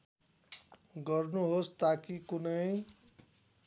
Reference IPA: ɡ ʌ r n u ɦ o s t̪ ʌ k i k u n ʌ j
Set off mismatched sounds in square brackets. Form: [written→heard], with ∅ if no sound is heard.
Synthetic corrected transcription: ɡ ʌ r n u ɦ o s t̪ [ʌ→a] k i k u n ʌ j